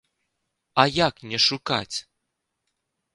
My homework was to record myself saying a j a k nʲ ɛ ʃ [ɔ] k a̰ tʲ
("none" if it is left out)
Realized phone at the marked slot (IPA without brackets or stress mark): u